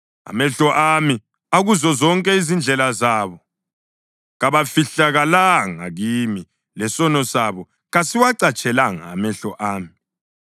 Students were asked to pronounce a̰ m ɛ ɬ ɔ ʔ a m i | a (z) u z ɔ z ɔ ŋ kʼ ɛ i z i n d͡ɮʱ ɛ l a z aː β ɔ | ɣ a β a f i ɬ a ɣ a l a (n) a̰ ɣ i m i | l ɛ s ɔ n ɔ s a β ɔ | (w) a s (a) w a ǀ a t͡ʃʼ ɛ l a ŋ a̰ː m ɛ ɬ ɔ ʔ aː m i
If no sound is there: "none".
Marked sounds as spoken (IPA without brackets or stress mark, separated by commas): ɣ, ŋ, ɣ, i